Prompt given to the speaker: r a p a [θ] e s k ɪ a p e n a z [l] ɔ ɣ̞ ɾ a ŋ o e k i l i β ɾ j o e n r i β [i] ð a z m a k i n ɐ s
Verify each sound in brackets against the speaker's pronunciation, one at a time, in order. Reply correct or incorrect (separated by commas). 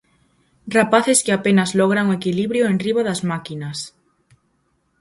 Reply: correct, correct, incorrect